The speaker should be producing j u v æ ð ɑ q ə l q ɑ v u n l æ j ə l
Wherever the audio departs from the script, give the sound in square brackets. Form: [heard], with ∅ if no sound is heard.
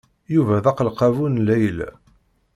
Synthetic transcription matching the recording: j u v æ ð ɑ q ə l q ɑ v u n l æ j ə l